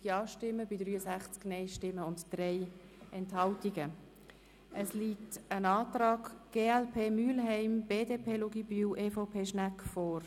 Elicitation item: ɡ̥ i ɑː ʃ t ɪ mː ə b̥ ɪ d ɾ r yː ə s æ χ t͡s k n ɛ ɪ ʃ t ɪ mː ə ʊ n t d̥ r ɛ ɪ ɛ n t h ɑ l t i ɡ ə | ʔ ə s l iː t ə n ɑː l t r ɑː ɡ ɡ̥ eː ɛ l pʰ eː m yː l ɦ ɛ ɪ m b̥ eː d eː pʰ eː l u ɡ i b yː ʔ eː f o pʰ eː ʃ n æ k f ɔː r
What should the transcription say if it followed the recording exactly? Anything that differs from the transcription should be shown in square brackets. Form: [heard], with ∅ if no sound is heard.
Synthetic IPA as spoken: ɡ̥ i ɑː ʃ t ɪ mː ə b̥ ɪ d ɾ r yː ə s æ χ t͡s k n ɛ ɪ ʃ t ɪ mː ə ʊ n t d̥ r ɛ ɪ ɛ n t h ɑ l t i ɡ ə | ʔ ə s l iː t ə n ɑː [∅] t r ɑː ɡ ɡ̥ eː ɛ l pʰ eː m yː l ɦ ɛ ɪ m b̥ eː d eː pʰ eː l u ɡ i b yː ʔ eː f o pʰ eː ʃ n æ k f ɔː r